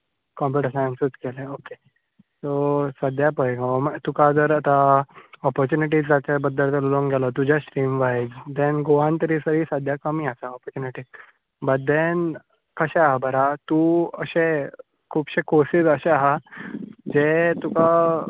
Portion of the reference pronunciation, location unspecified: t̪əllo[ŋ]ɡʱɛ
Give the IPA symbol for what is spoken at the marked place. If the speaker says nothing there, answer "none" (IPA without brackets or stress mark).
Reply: ŋ